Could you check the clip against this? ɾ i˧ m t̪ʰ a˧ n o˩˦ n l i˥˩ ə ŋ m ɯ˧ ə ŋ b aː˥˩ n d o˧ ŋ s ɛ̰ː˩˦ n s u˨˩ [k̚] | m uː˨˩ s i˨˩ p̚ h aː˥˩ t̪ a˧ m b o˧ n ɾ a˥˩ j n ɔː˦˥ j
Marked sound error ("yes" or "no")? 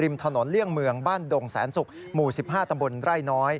no